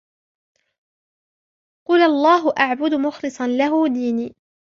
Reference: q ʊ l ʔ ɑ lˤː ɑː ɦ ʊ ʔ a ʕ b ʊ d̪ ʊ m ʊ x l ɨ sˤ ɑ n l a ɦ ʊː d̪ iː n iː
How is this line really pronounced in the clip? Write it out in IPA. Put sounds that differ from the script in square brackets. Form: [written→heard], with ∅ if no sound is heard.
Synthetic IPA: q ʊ l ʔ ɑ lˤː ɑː ɦ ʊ ʔ a ʕ b ʊ d̪ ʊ m ʊ x l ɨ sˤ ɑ n l a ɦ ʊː d̪ iː n iː